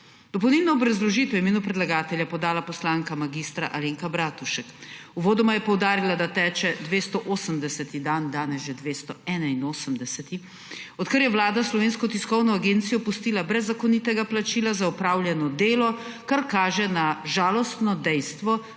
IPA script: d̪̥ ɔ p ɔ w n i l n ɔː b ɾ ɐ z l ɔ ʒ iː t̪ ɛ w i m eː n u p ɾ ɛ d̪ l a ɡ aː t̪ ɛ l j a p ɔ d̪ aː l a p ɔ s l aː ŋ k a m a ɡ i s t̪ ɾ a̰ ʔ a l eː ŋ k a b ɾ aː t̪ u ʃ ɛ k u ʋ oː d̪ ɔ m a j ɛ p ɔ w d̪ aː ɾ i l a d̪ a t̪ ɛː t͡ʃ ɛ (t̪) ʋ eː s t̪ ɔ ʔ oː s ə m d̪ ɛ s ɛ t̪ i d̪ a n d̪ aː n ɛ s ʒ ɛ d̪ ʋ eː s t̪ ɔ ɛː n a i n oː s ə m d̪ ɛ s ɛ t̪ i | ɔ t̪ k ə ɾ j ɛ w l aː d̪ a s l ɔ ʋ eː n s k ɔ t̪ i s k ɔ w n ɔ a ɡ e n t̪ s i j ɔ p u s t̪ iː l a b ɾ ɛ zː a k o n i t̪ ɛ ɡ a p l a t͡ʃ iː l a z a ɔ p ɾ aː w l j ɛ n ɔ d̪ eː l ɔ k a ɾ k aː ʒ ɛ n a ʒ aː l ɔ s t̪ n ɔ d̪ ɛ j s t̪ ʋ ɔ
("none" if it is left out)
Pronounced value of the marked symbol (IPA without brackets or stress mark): d̪